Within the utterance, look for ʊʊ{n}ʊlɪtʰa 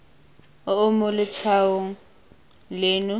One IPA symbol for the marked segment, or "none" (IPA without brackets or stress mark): m